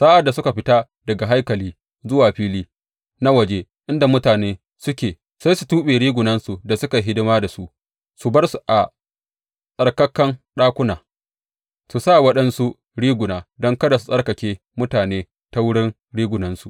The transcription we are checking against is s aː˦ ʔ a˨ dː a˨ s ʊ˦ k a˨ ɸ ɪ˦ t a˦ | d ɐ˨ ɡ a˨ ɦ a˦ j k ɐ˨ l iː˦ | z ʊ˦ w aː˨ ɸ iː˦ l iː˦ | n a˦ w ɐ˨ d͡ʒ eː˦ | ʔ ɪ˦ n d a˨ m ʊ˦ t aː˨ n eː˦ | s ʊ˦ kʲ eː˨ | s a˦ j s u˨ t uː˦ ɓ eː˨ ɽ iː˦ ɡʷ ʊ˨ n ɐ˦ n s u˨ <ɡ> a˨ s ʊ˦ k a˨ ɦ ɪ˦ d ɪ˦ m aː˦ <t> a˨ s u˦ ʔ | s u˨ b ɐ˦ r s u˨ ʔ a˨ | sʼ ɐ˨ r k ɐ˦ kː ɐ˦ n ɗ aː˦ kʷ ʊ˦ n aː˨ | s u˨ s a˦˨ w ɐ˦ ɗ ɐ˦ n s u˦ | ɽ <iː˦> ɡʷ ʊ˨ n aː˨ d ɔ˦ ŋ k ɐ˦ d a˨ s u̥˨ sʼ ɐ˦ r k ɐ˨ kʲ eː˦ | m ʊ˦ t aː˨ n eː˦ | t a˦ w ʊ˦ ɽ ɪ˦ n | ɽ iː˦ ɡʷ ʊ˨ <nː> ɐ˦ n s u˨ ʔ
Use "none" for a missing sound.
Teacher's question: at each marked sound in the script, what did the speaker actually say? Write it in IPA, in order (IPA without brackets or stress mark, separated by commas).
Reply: d, d, iː˦, n